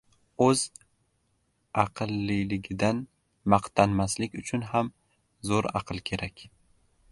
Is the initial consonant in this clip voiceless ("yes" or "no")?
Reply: no